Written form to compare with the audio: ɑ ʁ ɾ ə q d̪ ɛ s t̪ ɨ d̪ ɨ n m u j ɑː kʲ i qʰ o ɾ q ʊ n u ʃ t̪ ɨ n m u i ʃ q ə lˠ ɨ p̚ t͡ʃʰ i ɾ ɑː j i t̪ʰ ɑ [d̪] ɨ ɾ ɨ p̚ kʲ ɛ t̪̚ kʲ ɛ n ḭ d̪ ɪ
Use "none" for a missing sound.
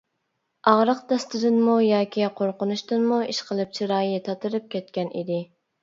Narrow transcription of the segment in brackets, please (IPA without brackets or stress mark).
t̪